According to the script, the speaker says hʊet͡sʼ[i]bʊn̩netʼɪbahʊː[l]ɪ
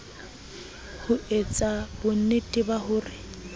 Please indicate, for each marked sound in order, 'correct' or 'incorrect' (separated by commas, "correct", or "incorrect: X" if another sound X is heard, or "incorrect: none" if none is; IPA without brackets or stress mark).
incorrect: a, incorrect: r